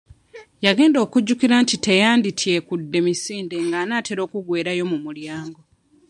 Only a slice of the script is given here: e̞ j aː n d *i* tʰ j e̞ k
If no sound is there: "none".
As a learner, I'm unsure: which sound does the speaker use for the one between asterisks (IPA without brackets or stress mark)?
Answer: i